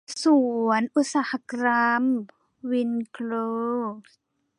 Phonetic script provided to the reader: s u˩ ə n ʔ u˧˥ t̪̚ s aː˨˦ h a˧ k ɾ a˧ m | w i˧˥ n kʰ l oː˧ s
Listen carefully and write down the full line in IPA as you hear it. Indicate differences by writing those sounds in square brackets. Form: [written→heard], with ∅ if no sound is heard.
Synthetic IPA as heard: s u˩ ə n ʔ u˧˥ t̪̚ s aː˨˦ h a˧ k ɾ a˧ m | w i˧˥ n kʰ l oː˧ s